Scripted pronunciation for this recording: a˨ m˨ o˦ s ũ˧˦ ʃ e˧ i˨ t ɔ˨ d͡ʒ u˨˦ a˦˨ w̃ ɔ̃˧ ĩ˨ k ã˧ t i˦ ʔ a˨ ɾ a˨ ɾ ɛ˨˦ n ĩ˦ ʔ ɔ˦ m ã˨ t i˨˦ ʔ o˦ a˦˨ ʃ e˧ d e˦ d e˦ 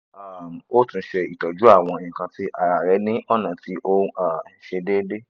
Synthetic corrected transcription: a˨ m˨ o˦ t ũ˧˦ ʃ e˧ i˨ t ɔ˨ d͡ʒ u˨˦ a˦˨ w̃ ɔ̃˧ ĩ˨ k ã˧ t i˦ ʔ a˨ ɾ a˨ ɾ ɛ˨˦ n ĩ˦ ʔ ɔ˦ n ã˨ t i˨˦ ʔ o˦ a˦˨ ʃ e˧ d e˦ d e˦